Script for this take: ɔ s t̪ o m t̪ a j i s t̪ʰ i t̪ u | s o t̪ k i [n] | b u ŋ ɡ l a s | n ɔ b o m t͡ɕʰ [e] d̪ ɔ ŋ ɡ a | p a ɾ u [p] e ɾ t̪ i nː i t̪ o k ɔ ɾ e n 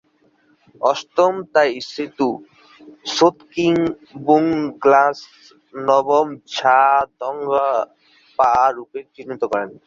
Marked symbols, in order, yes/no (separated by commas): no, no, yes